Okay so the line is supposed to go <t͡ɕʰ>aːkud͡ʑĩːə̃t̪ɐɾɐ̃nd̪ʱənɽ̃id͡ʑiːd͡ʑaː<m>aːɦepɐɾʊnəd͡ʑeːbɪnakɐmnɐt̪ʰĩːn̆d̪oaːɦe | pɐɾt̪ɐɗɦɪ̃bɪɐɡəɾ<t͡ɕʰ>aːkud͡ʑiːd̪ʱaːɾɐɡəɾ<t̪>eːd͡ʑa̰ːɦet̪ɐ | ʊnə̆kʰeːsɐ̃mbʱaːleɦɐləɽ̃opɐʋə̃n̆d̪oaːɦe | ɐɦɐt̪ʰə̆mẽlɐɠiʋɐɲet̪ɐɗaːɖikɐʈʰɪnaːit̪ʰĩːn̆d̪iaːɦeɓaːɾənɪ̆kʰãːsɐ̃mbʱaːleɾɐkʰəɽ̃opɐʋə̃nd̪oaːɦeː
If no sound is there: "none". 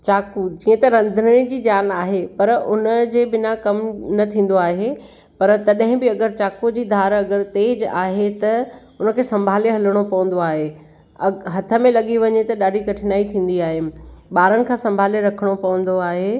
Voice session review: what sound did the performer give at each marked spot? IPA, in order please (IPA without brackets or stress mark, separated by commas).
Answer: t͡ɕ, n, t͡ɕ, t̪